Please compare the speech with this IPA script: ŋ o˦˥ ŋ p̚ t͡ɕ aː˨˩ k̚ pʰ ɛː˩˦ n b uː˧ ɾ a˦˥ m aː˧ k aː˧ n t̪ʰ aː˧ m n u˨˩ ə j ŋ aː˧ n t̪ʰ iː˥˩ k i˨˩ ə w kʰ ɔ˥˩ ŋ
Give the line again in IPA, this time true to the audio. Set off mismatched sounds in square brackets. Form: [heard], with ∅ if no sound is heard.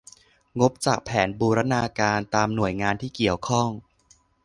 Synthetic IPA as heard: ŋ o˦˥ [∅] p̚ t͡ɕ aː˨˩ k̚ pʰ ɛː˩˦ n b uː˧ ɾ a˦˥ [n] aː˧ k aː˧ n [t̪] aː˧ m n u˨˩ ə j ŋ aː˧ n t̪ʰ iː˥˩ k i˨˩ ə w kʰ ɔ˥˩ ŋ